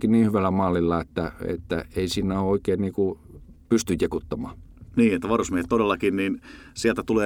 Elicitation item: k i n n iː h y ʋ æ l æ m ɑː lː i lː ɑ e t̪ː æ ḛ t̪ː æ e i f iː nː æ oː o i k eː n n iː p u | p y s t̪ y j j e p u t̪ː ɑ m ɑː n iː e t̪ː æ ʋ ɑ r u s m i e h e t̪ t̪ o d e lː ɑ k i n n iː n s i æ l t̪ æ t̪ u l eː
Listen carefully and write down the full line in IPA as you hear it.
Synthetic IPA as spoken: k i n n iː h y ʋ æ l æ m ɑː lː i lː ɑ e t̪ː æ ḛ t̪ː æ e i s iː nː æ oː o i k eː n n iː k u | p y s t̪ y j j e k u t̪ː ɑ m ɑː n iː e t̪ː æ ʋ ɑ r u s m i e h e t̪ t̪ o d e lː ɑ k i n n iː n s i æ l t̪ æ t̪ u l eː